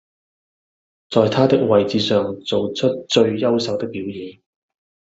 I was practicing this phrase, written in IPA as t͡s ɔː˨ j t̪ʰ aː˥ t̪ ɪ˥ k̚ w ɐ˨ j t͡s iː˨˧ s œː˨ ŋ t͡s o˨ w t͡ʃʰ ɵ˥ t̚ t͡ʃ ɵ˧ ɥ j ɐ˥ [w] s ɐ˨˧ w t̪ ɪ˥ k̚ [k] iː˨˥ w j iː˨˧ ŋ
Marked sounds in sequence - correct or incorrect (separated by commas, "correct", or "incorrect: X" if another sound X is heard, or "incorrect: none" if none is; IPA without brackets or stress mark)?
correct, incorrect: p